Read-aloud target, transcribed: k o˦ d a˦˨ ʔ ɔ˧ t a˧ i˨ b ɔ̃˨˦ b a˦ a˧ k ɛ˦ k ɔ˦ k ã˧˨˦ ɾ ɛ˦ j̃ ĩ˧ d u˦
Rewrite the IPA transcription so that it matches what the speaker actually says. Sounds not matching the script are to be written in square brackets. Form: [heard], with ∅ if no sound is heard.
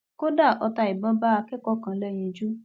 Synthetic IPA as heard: k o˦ d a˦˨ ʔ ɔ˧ t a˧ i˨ b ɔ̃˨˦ b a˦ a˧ k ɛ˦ k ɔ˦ k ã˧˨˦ [l] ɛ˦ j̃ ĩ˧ [d͡ʒ] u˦